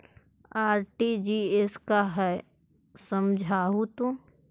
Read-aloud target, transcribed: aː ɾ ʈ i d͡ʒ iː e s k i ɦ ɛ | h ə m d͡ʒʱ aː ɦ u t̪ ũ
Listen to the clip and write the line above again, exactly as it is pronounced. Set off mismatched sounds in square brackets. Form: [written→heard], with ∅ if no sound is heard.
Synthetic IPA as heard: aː ɾ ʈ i d͡ʒ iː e s k [i→a] ɦ ɛ | [h→s] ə m d͡ʒʱ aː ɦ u t̪ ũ